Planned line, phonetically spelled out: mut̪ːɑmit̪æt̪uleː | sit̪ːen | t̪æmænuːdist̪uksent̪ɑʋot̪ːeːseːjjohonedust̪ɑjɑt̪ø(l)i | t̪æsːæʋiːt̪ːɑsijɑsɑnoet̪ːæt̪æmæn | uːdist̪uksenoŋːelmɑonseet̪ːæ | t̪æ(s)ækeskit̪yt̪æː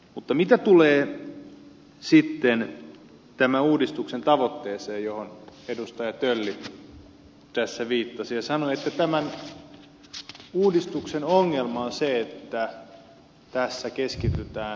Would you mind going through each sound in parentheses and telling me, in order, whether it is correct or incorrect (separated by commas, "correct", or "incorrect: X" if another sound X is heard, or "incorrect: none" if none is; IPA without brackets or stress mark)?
incorrect: lː, incorrect: sː